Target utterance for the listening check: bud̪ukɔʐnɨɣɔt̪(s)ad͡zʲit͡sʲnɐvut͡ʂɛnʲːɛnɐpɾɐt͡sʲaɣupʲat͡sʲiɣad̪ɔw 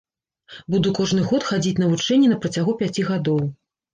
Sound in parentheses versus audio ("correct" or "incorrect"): incorrect